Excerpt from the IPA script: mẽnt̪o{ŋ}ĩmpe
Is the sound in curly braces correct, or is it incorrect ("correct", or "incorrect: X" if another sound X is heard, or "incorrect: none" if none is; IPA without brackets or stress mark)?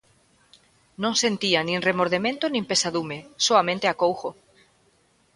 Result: incorrect: n